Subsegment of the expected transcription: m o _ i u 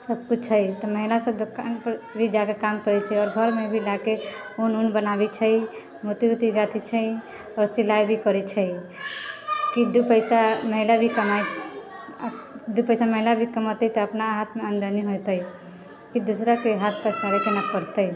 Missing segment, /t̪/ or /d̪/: t̪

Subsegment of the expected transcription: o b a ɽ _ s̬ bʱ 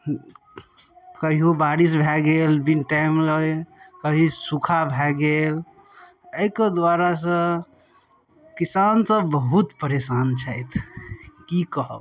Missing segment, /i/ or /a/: i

